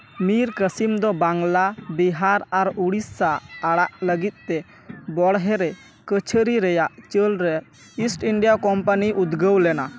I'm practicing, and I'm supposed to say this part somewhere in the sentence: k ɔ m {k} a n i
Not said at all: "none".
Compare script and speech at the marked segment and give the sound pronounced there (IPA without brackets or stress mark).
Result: p